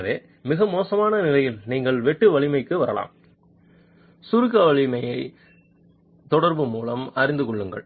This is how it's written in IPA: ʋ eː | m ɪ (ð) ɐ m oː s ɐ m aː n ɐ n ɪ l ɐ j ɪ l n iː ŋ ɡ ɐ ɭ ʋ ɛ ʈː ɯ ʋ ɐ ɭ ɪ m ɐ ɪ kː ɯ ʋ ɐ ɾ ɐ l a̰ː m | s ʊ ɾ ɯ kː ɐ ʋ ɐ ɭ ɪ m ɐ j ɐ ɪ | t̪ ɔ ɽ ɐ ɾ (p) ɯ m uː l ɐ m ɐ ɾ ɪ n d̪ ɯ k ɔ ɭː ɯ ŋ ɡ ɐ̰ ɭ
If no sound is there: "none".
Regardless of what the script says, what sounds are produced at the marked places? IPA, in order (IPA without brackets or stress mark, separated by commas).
ɣ, b